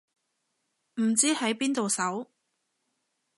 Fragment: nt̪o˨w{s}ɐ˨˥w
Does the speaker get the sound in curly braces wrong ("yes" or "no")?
no